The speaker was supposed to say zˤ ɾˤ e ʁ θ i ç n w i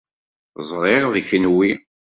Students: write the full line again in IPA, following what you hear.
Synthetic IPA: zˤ ɾˤ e ʁ ð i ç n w i

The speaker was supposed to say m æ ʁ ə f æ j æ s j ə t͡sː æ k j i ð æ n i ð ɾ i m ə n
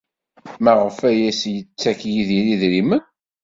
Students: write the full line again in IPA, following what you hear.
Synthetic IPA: m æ ʁ ə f æ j æ s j ə t͡sː æ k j i ð i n i ð ɾ i m ə n

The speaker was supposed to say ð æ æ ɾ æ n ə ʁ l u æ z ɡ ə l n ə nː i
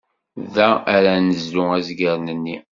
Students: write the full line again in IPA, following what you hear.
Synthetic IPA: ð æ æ ɾ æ n ə z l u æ z ɡ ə ɾ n ə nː i

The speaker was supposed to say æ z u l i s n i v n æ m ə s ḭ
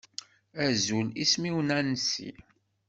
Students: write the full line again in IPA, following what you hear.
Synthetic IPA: æ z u l i s m i w n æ n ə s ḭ

